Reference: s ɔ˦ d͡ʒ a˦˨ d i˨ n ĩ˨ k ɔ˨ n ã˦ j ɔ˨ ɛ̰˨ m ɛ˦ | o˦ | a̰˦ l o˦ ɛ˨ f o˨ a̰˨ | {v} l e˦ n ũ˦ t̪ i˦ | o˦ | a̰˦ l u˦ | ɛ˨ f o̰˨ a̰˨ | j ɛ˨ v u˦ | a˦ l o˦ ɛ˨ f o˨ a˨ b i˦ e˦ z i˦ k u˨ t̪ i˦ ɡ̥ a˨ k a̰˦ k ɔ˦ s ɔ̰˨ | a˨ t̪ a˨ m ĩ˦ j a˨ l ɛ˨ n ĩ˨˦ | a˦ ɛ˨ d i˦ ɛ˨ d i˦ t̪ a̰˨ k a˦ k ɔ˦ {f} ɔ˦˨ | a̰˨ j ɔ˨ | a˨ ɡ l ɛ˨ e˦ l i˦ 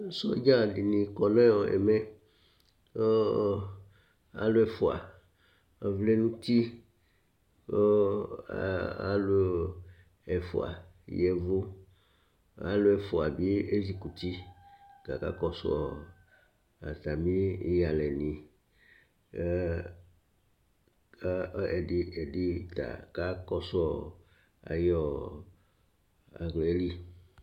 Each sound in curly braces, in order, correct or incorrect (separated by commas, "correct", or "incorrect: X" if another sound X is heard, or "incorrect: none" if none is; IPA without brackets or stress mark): correct, incorrect: s